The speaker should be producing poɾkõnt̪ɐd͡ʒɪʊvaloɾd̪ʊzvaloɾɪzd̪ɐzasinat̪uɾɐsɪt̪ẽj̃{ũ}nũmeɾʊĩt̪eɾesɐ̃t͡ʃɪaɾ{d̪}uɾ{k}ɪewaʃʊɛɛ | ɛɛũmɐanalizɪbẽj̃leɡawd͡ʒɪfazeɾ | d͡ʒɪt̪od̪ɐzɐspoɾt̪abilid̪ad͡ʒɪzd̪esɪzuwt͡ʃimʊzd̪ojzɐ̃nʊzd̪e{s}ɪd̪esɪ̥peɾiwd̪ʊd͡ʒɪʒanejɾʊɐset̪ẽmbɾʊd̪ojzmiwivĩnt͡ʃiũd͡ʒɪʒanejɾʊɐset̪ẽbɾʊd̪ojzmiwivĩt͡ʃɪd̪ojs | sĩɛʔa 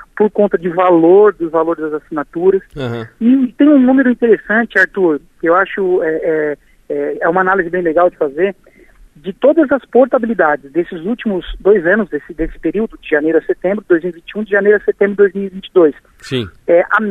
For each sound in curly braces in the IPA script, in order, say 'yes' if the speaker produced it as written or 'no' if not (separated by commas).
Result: yes, no, yes, yes